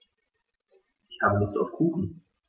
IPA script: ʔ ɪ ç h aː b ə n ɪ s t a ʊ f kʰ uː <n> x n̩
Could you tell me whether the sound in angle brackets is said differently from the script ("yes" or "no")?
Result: yes